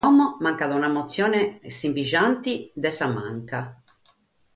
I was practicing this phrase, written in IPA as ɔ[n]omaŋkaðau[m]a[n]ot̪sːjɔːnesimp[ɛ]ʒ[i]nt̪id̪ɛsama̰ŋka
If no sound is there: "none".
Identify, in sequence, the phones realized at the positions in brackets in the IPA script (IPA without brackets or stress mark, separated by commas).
m, n, m, i, a